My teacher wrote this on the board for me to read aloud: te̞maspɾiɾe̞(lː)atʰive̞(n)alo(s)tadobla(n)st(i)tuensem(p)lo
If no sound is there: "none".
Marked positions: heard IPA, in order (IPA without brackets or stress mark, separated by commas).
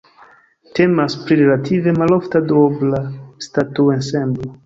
l, m, f, none, a, b